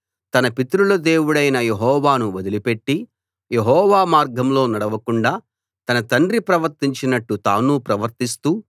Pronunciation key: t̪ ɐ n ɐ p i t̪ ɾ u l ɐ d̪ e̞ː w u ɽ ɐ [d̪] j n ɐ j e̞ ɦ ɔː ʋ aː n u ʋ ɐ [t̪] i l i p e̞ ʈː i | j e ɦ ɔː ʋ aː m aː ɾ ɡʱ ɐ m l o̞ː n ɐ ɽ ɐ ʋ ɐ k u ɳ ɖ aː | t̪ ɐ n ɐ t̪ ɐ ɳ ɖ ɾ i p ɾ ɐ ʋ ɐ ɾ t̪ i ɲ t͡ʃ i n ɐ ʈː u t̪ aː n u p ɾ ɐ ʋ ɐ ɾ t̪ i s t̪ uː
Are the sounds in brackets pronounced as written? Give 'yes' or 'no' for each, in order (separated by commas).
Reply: no, no